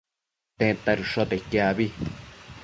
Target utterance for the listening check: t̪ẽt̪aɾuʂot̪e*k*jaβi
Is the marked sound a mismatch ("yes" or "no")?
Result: no